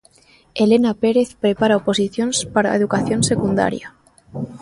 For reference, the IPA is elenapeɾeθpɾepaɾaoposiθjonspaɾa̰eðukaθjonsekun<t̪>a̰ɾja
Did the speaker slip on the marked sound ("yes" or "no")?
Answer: yes